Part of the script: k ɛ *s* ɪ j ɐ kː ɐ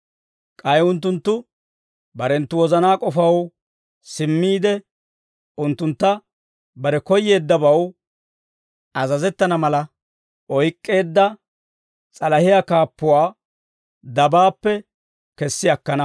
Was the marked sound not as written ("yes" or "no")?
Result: yes